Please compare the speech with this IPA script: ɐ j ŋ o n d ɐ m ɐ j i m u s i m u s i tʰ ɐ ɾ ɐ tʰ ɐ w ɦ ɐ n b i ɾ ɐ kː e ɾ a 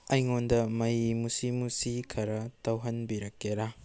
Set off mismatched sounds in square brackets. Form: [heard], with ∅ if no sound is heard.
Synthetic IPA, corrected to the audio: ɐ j ŋ o n d ɐ m ɐ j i m u s i m u s i [kʰ] ɐ ɾ ɐ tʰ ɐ w ɦ ɐ n b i ɾ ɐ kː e ɾ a